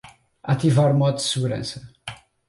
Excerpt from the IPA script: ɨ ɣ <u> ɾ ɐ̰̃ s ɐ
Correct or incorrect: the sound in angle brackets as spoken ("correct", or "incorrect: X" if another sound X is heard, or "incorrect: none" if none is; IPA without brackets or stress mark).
correct